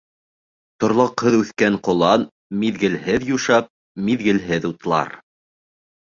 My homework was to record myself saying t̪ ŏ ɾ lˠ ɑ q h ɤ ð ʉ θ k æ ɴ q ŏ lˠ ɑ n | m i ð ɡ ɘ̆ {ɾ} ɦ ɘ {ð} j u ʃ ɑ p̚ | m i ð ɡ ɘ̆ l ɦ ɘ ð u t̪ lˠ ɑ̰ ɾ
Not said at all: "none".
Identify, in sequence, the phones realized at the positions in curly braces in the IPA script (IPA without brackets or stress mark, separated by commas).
l, ð